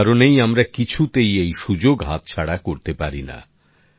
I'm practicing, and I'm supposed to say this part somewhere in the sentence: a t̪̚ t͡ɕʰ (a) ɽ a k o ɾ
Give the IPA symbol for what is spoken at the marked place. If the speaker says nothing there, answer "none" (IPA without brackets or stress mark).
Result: a